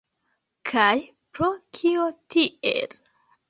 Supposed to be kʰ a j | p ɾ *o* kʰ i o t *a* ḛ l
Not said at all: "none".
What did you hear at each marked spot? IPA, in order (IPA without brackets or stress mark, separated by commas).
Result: o, i